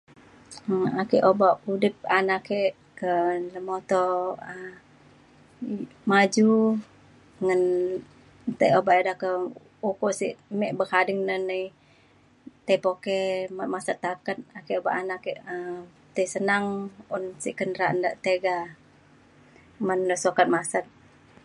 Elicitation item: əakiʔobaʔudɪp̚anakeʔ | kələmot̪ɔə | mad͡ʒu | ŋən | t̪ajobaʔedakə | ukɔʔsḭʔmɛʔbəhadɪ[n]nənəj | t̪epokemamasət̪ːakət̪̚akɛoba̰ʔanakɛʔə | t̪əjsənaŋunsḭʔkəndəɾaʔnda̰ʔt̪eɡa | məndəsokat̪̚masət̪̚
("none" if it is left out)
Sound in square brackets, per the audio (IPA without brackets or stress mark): ŋ